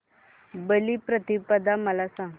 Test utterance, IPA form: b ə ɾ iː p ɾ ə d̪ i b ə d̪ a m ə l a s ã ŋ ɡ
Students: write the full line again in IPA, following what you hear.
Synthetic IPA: b ə l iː p ɾ ə t̪ i p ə d̪ a m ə l a s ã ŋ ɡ

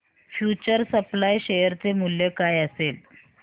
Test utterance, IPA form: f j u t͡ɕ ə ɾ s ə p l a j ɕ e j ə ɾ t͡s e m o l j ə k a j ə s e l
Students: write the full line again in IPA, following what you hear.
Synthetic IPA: f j u t͡ɕ ə ɾ s ə p l a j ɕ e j ə ɾ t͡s e m u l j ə k a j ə s e l

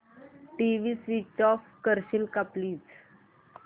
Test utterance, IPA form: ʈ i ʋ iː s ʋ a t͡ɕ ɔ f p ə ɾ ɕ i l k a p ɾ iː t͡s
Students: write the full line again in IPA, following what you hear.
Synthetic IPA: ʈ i ʋ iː s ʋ i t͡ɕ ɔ f k ə ɾ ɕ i l k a p l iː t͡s

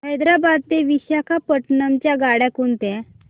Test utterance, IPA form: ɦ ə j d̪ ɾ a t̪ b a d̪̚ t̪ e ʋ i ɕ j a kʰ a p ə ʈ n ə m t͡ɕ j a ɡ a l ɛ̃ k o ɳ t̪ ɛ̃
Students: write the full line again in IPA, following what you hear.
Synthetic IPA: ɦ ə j d̪ ɾ a b a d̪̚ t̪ e ʋ i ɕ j a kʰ a p ə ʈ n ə m t͡ɕ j a ɡ a ɽ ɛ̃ k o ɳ t̪ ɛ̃

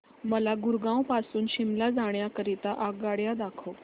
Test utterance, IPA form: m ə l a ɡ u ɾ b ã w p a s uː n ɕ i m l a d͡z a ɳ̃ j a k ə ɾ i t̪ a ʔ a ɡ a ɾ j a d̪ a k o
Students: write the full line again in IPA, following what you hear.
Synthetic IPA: m ə l a ɡ u ɾ ɡ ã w p a s uː n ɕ i m l a d͡z a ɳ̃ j a k ə ɾ i t̪ a ʔ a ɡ a ɽ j a d̪ a kʰ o

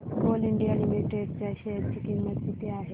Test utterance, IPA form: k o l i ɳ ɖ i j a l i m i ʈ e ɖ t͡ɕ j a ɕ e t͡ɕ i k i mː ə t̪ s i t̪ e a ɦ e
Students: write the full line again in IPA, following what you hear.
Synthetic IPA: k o l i ɳ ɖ i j a l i m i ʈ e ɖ t͡ɕ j a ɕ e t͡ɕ i k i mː ə t̪ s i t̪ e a ɦ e

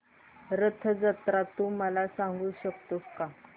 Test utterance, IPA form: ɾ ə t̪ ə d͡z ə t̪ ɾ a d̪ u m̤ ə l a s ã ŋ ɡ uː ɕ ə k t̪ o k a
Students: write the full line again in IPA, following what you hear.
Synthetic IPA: ɾ ə t̪ʰ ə d͡z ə t̪ ɾ a t̪ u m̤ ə l a s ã ŋ ɡ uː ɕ ə k t̪ o k a

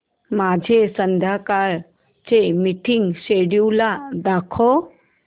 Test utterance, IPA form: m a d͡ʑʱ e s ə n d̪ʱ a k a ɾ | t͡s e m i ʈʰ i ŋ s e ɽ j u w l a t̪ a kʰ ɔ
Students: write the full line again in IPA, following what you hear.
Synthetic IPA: m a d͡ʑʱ e s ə n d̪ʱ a k a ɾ | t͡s e m i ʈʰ i ŋ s e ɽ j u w l a d̪ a kʰ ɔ

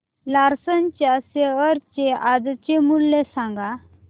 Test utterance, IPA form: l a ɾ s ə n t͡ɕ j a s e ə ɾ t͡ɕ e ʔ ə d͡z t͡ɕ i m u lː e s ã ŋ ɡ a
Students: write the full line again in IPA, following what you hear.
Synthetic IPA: l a ɾ s ə n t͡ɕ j a s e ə ɾ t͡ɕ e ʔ a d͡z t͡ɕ e m u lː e s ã ŋ ɡ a

